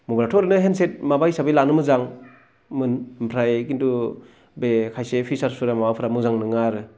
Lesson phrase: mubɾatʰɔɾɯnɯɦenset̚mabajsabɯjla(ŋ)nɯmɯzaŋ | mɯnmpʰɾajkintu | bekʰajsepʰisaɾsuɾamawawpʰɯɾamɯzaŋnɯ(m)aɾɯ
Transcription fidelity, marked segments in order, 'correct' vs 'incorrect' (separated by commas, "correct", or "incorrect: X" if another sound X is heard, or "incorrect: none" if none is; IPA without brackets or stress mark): incorrect: none, incorrect: ŋ